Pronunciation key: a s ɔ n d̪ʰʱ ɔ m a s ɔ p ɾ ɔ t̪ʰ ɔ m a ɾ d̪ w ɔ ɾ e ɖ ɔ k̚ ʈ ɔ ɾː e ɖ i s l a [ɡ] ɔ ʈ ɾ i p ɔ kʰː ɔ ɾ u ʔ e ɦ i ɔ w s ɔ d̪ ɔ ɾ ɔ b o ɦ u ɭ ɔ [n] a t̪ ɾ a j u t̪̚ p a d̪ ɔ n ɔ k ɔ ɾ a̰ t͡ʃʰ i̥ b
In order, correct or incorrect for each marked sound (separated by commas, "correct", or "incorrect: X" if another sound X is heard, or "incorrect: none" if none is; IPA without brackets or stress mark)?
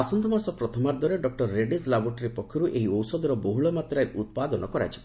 incorrect: b, incorrect: m